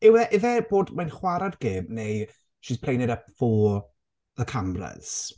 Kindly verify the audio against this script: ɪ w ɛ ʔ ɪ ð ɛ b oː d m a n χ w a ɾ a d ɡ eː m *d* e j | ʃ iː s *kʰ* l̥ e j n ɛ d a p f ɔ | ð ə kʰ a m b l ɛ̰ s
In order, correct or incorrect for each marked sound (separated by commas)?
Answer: incorrect, incorrect